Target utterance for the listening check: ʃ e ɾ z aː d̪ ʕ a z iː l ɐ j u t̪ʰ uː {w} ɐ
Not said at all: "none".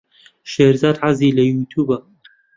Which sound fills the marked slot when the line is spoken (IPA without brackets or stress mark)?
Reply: b